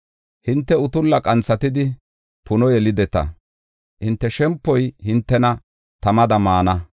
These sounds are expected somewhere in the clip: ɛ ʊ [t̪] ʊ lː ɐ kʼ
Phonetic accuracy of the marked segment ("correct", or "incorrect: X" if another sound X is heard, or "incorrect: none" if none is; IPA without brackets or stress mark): correct